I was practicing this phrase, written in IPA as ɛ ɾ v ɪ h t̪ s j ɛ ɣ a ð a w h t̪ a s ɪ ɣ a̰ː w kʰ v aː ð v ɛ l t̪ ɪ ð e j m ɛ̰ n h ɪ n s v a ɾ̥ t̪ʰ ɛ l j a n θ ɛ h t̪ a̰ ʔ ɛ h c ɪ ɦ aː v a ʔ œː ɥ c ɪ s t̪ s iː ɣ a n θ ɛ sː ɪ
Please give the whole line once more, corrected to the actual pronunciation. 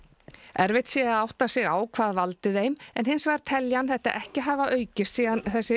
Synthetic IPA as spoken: ɛ ɾ v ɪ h t̪ s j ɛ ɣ a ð a w h t̪ a s ɪ ɣ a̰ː w kʰ v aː ð v a l t̪ ɪ ð e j m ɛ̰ n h ɪ n s v a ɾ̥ t̪ʰ ɛ l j a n θ ɛ h t̪ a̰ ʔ ɛ h c ɪ ɦ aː v a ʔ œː ɥ c ɪ s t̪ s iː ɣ a n θ ɛ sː ɪ

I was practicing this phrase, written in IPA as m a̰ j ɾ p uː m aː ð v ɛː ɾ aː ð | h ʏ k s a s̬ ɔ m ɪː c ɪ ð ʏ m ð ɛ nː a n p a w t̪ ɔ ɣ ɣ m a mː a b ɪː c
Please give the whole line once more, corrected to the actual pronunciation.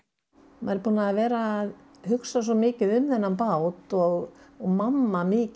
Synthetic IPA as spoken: m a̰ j ɾ p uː n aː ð v ɛː ɾ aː ð | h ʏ k s a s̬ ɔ m ɪː c ɪ ð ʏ m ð ɛ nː a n p a w t̪ ɔ ɣ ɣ m a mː a m ɪː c

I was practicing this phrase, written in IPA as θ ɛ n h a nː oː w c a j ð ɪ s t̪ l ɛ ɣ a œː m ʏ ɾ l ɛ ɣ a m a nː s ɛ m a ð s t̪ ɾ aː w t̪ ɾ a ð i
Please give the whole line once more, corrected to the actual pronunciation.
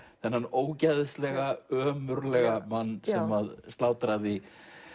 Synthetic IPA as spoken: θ ɛ n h a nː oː w c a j ð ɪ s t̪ l ɛ ɣ a œː m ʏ ɾ l ɛ ɣ a m a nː s ɛ m a ð s t̪ l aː w t̪ ɾ a ð i

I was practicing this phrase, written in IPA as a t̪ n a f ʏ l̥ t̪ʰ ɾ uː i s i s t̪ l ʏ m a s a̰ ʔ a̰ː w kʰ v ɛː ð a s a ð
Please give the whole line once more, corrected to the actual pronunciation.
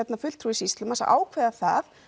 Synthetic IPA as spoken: ɛ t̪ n a f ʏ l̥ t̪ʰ ɾ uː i s i s t̪ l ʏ m a s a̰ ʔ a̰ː w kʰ v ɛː ð a θ a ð

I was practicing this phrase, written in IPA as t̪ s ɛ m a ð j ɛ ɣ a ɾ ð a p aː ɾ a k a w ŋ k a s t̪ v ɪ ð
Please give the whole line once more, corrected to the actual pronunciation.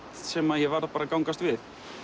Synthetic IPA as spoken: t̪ s ɛ m a ð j ɛ v a ɾ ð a p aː ɾ a k a w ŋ k a s t̪ v ɪ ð

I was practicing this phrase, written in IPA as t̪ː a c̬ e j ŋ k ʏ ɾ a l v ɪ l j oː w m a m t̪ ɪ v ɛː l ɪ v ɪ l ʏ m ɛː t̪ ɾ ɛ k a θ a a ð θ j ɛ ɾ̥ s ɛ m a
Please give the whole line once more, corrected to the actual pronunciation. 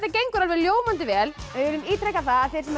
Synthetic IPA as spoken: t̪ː a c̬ e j ŋ k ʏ ɾ a l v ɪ l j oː w m a n t̪ ɪ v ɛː l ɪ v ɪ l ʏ m iː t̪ ɾ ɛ k a θ a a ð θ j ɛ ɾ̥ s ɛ m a

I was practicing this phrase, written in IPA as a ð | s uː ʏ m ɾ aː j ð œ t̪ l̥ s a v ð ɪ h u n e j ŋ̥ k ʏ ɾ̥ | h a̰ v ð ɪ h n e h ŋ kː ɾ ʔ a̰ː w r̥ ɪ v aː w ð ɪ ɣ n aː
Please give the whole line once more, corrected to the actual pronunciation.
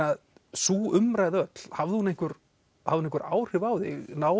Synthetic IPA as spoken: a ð | s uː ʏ m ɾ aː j ð œ t̪ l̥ h a v ð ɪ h u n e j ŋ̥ k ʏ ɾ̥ | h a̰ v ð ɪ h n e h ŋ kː ɾ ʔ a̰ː w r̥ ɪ v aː w ð ɪ ɣ n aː

